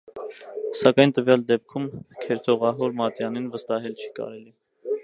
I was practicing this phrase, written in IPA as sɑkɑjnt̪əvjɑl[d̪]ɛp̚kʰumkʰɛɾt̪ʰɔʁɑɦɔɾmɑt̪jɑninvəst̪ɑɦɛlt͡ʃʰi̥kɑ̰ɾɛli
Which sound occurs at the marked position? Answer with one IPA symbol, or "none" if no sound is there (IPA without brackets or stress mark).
d̪